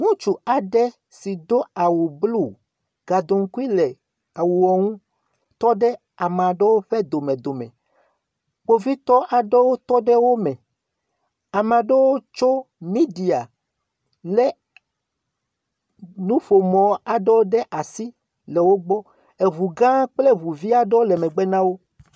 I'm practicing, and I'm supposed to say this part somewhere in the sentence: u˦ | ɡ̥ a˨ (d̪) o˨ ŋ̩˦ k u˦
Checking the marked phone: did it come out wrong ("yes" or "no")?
no